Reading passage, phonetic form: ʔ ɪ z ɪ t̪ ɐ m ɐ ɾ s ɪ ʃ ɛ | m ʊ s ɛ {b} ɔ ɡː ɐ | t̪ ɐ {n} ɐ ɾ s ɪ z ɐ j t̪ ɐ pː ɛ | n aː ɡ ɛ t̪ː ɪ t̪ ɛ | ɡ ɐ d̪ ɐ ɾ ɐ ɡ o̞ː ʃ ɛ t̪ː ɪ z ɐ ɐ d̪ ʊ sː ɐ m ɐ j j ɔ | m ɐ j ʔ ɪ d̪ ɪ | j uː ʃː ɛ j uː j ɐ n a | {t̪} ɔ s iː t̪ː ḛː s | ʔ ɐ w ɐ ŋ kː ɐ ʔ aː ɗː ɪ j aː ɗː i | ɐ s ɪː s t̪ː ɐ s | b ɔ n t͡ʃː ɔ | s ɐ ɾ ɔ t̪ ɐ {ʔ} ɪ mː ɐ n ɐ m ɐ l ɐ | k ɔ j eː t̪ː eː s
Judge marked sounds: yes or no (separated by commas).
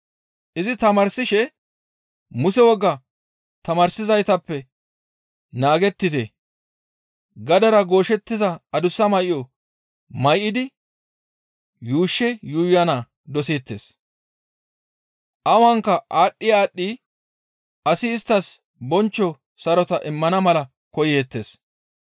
no, no, no, yes